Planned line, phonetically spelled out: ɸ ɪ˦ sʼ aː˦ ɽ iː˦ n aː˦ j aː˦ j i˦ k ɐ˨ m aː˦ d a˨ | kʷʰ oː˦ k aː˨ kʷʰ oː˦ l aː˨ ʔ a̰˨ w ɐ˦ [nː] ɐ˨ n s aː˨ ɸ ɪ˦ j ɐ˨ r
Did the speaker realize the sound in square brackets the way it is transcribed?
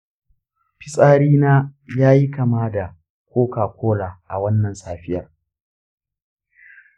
yes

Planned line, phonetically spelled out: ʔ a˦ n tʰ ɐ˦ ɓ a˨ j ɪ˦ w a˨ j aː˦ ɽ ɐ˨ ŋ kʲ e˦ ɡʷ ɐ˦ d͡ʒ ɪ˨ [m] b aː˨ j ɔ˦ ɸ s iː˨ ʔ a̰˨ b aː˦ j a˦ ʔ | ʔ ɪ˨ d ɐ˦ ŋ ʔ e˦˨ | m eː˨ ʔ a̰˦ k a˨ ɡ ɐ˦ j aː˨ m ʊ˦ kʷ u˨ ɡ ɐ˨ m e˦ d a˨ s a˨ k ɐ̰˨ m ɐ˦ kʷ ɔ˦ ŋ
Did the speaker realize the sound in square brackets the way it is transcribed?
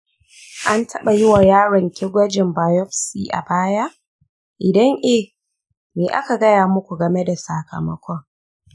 yes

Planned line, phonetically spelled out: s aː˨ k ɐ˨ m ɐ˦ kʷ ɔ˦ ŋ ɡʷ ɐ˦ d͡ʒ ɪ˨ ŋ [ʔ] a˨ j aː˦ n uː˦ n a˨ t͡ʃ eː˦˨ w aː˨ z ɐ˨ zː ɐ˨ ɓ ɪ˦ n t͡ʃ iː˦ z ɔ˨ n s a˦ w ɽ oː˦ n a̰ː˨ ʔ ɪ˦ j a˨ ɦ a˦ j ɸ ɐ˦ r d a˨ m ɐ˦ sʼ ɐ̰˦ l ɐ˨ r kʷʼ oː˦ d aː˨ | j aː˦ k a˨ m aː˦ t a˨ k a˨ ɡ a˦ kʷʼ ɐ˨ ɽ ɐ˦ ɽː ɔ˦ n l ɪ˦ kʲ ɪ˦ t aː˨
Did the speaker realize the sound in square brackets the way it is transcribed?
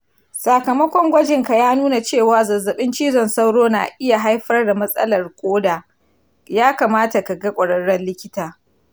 no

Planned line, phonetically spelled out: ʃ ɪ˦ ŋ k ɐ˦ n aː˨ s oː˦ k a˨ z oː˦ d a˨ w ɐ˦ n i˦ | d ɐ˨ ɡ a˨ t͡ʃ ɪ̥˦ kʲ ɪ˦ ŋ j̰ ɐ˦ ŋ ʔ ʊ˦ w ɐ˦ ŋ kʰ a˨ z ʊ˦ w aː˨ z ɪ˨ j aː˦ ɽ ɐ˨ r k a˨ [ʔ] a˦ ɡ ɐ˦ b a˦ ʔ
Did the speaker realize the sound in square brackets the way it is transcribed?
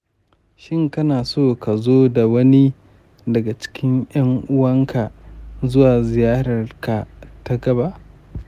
no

